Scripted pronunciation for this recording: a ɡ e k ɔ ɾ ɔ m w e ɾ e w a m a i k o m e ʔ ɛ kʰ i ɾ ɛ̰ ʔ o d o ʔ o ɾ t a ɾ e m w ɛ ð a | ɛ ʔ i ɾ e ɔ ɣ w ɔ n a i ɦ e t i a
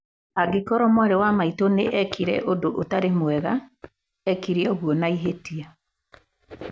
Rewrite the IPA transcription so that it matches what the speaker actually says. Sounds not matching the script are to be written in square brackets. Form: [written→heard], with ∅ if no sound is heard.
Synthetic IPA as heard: a ɡ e k ɔ ɾ ɔ m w [e→a] ɾ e w a m a i [k→t] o [m→n] e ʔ ɛ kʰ i ɾ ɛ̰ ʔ o d o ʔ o [ɾ→∅] t a ɾ e m w ɛ [ð→ɣ] a | ɛ [ʔ→k] i ɾ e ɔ ɣ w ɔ n a i ɦ e t i a